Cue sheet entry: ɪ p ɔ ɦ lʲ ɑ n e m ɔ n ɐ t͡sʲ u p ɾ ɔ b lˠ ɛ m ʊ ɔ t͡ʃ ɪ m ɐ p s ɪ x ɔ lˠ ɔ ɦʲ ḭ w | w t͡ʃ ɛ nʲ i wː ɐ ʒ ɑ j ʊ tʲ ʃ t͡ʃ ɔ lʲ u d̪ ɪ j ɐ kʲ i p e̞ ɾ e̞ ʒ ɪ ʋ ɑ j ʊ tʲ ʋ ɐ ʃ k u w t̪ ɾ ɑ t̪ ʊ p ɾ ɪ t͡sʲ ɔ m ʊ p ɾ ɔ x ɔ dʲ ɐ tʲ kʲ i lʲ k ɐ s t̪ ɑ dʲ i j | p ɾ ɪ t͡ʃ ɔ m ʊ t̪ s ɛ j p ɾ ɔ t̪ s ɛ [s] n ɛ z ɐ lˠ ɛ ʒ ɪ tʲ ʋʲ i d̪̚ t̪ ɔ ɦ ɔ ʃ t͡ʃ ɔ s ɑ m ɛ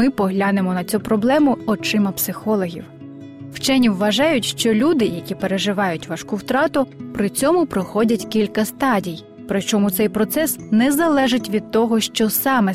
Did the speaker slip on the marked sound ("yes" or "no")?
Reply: no